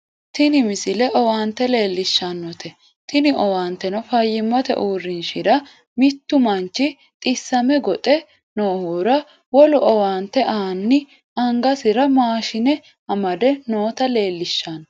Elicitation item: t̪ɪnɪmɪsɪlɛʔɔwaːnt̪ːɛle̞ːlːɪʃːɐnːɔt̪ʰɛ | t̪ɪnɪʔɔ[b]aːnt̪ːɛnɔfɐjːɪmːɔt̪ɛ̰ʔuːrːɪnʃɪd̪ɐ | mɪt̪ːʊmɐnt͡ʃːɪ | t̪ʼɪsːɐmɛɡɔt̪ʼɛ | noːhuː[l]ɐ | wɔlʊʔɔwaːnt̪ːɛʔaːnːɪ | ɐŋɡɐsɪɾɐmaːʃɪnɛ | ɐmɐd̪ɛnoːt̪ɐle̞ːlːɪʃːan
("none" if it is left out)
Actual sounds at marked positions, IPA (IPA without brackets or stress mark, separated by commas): w, ɾ